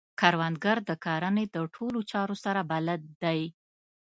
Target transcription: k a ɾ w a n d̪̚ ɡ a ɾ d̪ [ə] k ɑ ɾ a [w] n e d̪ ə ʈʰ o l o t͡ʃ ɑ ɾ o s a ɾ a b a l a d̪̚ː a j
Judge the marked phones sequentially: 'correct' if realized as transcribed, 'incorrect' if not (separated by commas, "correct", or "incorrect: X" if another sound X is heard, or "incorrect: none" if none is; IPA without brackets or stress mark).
correct, incorrect: none